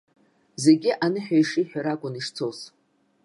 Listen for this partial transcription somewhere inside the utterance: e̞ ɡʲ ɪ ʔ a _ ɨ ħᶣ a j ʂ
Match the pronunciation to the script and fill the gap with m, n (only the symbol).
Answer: n